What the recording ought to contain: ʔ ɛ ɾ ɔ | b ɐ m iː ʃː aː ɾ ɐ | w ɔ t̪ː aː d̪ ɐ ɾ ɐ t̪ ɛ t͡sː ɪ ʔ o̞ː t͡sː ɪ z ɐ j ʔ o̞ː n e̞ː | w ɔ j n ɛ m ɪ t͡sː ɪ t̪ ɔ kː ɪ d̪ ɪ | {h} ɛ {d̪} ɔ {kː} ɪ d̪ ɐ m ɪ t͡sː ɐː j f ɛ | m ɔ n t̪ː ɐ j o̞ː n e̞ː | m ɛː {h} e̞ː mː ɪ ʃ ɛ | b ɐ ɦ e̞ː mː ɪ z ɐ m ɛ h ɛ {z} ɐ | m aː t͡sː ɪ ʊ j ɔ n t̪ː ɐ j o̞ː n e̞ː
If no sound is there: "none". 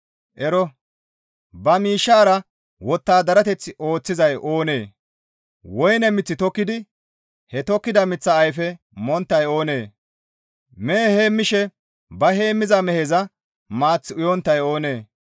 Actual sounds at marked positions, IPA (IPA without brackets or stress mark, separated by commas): h, t̪, kː, h, z